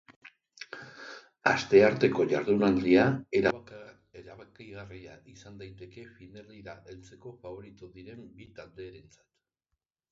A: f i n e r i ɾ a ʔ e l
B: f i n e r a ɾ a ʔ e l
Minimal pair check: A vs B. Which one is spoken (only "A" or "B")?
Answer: A